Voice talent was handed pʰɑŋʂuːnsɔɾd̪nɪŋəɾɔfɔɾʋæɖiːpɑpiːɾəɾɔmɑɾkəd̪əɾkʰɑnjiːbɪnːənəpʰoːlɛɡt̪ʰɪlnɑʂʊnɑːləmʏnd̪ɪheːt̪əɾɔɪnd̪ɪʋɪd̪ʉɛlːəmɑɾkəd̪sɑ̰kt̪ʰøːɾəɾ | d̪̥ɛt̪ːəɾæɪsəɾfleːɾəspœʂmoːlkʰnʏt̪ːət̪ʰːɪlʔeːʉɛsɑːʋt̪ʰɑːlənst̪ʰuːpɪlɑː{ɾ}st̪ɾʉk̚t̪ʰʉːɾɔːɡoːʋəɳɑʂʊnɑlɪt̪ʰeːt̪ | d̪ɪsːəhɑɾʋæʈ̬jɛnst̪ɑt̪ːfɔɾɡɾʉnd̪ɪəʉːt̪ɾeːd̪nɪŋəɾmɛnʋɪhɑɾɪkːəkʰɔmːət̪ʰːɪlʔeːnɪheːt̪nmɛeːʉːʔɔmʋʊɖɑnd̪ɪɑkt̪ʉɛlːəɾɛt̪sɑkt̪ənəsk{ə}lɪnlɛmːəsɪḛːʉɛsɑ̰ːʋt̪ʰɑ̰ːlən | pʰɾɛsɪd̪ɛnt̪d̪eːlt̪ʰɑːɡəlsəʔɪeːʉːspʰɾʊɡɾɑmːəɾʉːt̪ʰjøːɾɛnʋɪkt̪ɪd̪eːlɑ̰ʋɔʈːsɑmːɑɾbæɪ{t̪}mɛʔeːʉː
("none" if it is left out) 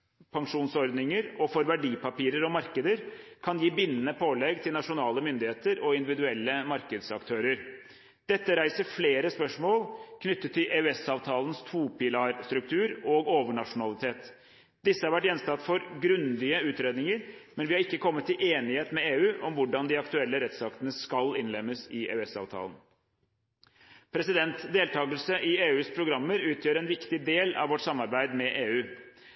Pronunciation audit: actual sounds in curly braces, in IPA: ɾ, ɑ, d̪

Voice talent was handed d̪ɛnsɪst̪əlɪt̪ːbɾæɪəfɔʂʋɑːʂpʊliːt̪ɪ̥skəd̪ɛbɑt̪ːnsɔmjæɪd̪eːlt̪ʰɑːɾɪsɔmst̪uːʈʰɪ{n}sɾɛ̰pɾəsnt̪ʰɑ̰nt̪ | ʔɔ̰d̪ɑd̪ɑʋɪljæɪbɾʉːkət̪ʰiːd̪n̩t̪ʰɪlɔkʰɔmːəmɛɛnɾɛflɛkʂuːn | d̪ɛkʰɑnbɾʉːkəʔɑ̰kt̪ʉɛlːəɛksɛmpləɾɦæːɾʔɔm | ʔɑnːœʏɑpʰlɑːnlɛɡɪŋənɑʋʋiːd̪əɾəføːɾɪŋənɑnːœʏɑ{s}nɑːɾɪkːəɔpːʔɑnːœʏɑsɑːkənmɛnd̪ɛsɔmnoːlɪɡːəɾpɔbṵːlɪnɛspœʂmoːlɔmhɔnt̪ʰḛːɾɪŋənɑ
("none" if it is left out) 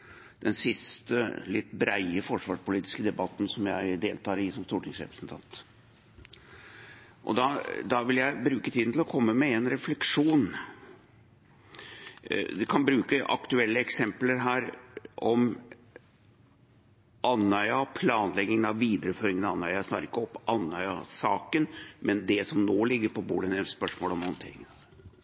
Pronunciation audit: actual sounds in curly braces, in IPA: ŋ, s

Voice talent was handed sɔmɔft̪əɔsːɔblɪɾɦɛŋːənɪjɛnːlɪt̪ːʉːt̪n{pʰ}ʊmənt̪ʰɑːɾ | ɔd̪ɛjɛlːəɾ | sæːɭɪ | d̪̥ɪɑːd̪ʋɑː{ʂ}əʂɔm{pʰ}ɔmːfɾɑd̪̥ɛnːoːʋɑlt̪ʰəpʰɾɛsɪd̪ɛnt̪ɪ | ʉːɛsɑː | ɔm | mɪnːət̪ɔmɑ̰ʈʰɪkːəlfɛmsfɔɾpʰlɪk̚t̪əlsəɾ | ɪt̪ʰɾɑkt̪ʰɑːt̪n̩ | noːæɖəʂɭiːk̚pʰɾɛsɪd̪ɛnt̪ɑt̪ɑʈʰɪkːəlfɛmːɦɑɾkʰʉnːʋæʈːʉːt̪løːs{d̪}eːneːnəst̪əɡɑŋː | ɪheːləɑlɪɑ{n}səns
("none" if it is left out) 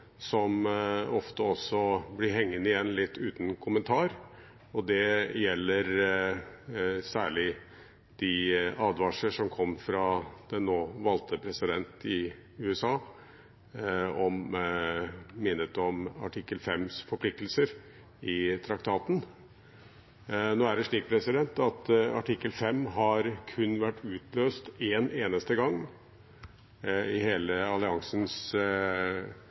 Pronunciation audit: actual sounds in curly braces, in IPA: kʰ, ʂ, kʰ, t̪, ŋ

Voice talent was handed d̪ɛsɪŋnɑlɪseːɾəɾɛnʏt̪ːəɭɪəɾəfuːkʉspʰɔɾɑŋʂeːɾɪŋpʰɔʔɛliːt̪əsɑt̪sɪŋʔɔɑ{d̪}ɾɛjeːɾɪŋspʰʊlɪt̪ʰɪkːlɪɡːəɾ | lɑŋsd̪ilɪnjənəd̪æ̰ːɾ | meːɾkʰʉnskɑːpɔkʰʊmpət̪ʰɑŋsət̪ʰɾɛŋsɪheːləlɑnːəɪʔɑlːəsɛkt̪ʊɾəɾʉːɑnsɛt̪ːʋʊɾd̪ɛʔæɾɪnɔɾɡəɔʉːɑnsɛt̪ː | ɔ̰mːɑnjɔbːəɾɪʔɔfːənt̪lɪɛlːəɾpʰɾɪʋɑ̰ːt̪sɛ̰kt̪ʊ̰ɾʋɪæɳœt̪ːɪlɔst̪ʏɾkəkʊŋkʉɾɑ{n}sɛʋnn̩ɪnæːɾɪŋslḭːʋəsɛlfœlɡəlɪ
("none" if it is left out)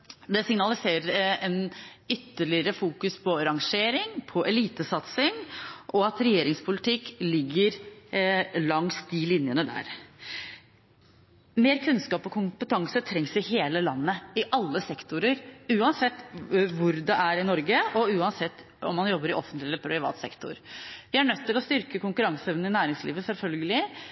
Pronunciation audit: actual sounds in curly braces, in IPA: t̪, ŋ

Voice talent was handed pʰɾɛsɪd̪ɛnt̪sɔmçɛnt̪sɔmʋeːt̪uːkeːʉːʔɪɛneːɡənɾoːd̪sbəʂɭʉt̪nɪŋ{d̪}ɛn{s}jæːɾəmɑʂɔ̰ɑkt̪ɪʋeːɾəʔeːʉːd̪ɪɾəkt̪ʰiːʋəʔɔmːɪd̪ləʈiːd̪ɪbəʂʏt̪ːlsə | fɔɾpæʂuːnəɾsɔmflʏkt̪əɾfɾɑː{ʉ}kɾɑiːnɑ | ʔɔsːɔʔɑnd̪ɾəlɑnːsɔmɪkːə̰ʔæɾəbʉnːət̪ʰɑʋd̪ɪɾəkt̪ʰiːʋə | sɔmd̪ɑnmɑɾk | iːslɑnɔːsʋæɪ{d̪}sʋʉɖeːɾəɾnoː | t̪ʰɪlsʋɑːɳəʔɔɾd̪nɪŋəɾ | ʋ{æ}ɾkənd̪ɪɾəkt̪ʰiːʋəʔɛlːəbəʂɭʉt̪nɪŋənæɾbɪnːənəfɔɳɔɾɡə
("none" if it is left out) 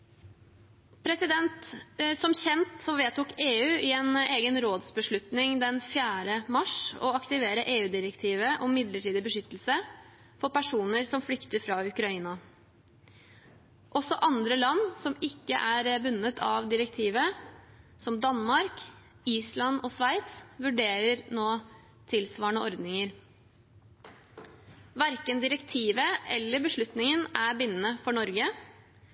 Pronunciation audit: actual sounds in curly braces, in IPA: d̪, f, ʉ, t̪, æ

